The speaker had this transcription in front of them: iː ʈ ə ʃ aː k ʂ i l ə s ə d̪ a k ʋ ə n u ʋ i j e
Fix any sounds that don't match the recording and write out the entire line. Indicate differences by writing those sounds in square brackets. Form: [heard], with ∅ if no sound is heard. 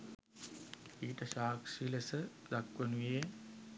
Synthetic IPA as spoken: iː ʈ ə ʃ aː k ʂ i l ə s ə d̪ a k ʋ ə n u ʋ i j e